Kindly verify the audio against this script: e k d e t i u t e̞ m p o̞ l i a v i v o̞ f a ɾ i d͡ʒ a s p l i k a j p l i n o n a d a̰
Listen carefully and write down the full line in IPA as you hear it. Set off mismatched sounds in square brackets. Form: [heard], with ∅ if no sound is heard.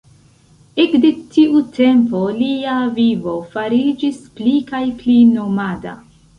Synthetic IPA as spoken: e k d e t i u t e̞ m p o̞ l i a v i v o̞ f a ɾ i d͡ʒ [i] s p l i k a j p l i n o [m] a d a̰